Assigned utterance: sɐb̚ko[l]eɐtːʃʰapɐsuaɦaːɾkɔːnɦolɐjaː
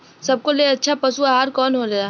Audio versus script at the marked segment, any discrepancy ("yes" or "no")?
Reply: no